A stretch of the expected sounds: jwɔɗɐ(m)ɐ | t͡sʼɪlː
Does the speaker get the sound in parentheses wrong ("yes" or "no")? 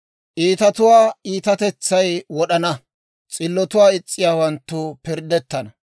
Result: yes